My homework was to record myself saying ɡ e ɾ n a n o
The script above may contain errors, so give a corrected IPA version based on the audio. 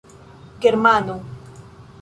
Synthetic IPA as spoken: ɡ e ɾ m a n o